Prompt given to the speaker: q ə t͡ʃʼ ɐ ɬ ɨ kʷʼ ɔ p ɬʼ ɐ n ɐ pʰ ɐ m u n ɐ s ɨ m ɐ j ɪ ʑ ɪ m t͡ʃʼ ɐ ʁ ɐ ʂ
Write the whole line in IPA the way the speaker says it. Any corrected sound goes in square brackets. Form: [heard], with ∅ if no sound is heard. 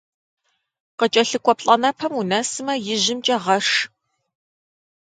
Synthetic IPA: q ə t͡ʃʼ ɐ ɬ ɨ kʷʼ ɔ p ɬʼ ɐ n ɐ pʰ ɐ m u n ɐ s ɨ m ɐ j ɪ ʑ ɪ m t͡ʃʼ ɐ ʁ ɐ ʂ